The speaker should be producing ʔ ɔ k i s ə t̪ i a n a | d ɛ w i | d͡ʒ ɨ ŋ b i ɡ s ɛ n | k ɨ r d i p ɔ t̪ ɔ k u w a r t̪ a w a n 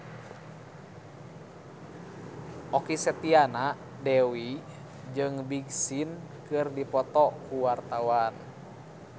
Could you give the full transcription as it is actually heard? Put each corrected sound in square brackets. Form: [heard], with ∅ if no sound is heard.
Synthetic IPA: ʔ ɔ k i s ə t̪ i a n a | d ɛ w i | d͡ʒ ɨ ŋ b i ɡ s [i] n | k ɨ r d i p ɔ t̪ ɔ k u w a r t̪ a w a n